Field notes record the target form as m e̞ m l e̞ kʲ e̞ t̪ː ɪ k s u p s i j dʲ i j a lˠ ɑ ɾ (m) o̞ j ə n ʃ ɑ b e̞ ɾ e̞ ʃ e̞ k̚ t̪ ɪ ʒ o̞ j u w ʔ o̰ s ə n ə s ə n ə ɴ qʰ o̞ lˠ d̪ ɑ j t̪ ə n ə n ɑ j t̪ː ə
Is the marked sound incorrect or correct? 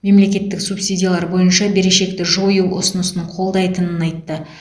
incorrect